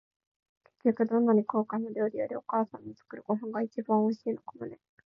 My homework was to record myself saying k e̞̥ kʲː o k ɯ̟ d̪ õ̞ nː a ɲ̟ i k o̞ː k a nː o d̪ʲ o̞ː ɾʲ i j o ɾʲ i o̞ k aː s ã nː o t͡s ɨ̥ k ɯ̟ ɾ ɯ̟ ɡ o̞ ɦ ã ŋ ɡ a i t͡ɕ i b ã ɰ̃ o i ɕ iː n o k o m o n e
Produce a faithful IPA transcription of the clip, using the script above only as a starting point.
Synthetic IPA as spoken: k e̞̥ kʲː o k ɯ̟ d̪ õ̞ nː a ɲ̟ i k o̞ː k a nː o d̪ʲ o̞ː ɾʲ i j o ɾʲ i o̞ k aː s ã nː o t͡s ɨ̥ k ɯ̟ ɾ ɯ̟ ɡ o̞ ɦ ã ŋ ɡ a i t͡ɕ i b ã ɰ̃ o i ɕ iː n o k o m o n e